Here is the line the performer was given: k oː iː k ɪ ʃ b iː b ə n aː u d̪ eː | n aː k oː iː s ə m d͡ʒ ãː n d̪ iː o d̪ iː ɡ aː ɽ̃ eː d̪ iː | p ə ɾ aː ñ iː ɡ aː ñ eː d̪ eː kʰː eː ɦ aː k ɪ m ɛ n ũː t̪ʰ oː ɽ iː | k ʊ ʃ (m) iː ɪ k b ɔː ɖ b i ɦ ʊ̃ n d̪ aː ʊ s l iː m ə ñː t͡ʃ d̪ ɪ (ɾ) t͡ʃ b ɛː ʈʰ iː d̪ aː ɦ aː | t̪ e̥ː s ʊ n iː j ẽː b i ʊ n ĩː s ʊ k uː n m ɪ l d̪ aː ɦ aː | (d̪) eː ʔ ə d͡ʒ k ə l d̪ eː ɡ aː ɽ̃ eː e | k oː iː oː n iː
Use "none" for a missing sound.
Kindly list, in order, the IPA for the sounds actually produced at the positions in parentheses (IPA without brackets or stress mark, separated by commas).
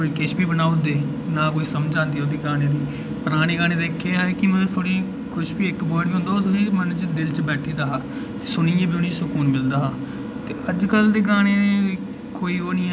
b, l, t̪